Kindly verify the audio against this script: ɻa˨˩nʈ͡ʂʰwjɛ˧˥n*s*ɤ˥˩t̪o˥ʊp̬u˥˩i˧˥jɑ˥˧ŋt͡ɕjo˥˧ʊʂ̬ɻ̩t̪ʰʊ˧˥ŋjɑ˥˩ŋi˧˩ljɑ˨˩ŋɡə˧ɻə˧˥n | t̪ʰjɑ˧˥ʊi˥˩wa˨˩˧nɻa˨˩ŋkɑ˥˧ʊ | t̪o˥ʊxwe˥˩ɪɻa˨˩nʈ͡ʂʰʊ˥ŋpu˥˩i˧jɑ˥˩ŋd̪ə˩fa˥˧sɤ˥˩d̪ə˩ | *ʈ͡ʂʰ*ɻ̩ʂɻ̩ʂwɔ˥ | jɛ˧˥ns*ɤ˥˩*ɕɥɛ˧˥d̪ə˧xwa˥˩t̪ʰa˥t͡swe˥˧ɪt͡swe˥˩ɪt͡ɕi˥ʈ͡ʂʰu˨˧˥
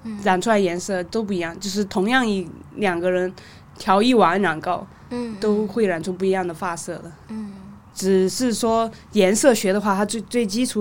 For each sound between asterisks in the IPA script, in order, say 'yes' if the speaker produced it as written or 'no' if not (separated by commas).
yes, no, yes